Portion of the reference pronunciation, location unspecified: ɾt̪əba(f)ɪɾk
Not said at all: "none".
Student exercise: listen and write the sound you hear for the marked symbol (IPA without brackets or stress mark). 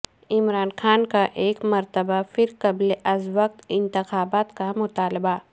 f